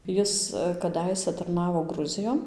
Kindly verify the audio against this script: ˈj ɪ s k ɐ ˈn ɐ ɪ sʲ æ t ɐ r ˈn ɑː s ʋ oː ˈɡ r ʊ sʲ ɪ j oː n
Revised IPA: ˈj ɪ s k ɐ ˈd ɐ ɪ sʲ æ t ɐ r ˈn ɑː ʋ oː ˈɡ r ʊ zʲ ɪ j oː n